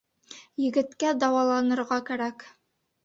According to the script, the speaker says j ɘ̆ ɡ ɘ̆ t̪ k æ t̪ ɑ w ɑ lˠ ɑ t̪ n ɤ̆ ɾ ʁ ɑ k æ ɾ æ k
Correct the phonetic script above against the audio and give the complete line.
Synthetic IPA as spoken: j ɘ̆ ɡ ɘ̆ t̪ k æ d̪ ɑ w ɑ lˠ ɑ n ɤ̆ ɾ ʁ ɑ k æ ɾ æ k

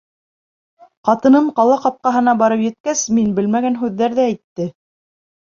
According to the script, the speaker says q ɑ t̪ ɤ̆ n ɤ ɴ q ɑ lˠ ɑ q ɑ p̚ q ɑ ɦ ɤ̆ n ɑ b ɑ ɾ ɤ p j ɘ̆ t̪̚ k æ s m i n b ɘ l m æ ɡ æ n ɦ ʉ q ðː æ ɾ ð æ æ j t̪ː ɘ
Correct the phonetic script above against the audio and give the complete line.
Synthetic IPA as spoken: q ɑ t̪ ɤ̆ n ɤ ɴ q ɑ lˠ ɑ q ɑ p̚ q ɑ ɦ ɤ̆ n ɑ b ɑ ɾ ɤ p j ɘ̆ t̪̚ k æ s m i n b ɘ l m æ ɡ æ n ɦ ʉ ðː æ ɾ ð æ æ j t̪ː ɘ

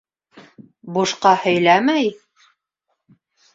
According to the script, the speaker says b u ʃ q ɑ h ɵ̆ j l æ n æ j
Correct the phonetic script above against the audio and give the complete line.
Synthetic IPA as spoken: b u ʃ q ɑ h ɵ̆ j l æ m æ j

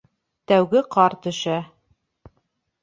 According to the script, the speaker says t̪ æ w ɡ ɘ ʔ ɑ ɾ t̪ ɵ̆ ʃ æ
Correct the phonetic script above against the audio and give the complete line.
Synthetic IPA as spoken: t̪ æ w ɡ ɘ q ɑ ɾ t̪ ɵ̆ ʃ æ

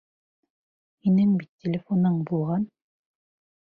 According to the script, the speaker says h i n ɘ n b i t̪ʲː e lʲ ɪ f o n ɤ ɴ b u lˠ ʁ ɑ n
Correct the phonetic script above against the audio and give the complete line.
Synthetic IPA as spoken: h i n ɘ ŋ b i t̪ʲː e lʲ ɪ f o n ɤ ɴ b u lˠ ʁ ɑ n

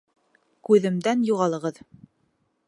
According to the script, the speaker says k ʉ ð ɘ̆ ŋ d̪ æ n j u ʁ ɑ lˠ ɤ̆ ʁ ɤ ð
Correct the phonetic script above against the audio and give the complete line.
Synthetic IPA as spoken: k ʉ ð ɘ̆ m d̪ æ n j u ʁ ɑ lˠ ɤ̆ ʁ ɤ ð

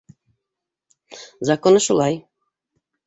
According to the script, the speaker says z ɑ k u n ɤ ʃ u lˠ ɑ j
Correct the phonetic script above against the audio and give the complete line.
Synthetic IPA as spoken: z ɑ k o n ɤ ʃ u lˠ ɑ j

